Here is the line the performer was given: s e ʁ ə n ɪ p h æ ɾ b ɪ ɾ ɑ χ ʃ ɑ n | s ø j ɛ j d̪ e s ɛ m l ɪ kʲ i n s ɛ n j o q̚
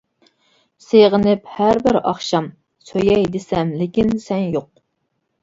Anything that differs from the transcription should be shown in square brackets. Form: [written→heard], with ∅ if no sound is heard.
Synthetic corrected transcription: s e ʁ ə n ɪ p h æ ɾ b ɪ ɾ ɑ χ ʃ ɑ [n→m] | s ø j ɛ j d̪ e s ɛ m l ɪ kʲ i n s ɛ n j o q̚